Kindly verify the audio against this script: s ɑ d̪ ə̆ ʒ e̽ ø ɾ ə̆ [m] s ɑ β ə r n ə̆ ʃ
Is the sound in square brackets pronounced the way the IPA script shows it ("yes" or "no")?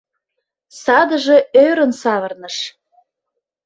no